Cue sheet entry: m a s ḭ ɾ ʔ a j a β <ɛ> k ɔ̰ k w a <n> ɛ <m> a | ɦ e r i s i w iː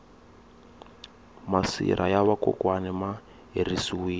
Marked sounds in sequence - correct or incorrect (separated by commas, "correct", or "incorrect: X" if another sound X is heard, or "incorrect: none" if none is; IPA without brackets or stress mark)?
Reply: incorrect: a, correct, correct